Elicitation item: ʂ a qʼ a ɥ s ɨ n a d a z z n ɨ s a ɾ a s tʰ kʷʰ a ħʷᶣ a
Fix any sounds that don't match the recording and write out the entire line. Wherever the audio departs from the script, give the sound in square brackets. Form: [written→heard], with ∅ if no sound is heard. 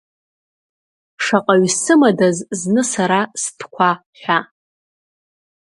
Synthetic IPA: ʂ a qʼ a ɥ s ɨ [n→m] a d a z z n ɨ s a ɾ a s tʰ kʷʰ a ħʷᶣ a